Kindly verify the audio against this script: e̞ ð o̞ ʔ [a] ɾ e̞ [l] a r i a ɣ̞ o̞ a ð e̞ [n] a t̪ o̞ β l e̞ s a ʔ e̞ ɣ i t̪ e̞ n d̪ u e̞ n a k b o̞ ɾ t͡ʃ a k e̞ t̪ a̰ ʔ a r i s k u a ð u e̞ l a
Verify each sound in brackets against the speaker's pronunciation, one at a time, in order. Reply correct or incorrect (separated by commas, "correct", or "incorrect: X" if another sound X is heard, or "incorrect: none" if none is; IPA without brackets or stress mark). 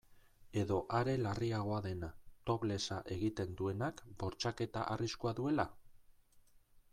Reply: correct, correct, correct